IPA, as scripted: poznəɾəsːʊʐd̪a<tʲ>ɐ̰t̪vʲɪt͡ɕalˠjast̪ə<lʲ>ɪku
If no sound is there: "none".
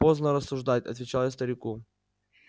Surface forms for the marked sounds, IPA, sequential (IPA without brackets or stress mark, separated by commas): tʲ, ɾʲ